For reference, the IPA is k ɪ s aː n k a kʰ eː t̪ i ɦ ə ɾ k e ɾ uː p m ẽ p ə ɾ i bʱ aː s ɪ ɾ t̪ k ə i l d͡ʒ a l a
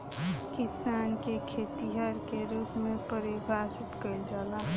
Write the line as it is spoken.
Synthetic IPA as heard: k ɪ s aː n k e kʰ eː t̪ i ɦ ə ɾ k e ɾ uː p m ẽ p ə ɾ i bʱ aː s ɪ t̪ k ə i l d͡ʒ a l a

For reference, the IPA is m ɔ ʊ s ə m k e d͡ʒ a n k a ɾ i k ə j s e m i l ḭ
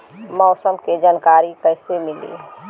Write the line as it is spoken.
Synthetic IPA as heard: m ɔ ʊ s ə m k e d͡ʒ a n k a ɾ i k ə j s e m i l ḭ

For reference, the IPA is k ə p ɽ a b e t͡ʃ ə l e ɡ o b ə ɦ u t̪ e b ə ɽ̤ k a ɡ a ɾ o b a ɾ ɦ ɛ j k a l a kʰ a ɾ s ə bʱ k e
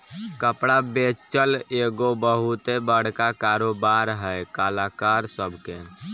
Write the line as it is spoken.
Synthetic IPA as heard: k ə p ɽ a b e t͡ʃ ə l e ɡ o b ə ɦ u t̪ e b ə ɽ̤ k a k a ɾ o b a ɾ ɦ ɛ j k a l a k a ɾ s ə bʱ k e

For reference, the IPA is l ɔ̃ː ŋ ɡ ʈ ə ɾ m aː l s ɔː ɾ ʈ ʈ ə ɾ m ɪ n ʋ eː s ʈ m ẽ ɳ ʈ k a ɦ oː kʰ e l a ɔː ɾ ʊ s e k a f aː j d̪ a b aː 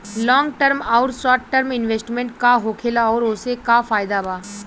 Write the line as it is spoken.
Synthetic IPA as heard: l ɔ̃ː ŋ ɡ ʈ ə ɾ m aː ɾ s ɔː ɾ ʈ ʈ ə ɾ m ɪ n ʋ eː s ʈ m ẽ ɳ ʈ k a ɦ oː kʰ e l a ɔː ɾ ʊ s e k a f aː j d̪ a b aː

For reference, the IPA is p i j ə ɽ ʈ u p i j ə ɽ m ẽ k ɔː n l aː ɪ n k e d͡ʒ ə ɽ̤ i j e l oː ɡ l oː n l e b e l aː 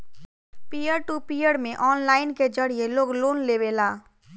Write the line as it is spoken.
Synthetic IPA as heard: p i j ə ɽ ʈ u p i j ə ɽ m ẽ ʔ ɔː n l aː ɪ n k e d͡ʒ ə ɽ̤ i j e l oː ɡ l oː n l e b e l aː

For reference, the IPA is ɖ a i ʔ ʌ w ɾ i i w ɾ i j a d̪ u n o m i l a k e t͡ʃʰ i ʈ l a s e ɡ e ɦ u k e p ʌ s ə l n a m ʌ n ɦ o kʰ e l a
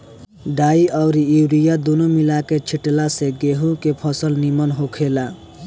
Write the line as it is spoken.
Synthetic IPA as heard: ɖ a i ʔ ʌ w ɾ i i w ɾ i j a d̪ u n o m i l a k e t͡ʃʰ i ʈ l a s e ɡ e ɦ u k e pʰ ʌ s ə l n i m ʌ n ɦ o kʰ e l a

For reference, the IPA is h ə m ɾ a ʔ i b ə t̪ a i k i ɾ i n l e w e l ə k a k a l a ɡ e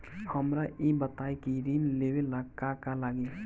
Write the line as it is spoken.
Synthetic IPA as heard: h ə m ɾ a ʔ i b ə t̪ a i k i ɾ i n l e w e l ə k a k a l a ɡ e

